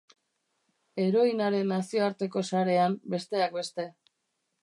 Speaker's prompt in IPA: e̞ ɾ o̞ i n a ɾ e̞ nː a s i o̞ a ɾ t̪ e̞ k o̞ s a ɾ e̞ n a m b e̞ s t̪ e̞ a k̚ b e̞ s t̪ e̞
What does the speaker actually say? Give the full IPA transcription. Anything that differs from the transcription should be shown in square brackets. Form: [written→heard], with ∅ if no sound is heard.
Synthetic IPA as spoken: e̞ ɾ o̞ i n a ɾ e̞ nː a s i o̞ a ɾ t̪ e̞ k o̞ s a ɾ e̞ [n→∅] a m b e̞ s t̪ e̞ a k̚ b e̞ s t̪ e̞